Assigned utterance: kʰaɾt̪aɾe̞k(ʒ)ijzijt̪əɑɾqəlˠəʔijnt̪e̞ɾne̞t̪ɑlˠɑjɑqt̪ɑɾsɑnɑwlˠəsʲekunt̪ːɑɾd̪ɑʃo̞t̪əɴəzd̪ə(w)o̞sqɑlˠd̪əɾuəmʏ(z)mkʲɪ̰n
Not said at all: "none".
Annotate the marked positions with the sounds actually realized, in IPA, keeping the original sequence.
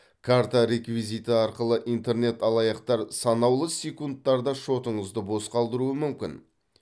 v, b, none

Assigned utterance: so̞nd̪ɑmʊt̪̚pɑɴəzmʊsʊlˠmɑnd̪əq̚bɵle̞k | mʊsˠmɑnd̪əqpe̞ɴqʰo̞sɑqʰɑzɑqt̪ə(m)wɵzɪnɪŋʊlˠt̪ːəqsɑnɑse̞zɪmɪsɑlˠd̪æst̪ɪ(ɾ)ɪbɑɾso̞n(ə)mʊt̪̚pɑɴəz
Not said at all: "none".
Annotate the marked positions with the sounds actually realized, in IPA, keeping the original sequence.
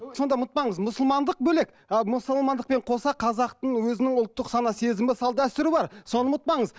ɴ, ɾ, ə

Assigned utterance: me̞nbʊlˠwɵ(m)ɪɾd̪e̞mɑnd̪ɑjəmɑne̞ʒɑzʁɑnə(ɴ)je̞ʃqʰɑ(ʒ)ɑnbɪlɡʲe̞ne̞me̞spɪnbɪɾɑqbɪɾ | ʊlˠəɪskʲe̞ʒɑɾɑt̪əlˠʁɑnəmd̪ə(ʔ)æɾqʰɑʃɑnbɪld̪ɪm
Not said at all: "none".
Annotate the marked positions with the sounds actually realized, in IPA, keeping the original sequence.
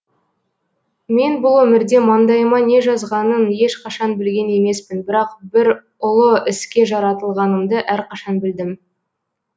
m, n, ʃ, ʔ

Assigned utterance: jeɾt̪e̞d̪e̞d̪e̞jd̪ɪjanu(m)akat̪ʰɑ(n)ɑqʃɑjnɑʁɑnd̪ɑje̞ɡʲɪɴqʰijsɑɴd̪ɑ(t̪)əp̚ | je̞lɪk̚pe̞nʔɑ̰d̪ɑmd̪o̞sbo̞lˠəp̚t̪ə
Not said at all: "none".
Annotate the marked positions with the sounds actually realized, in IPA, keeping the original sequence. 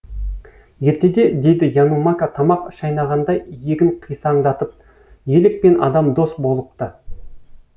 m, m, t̪

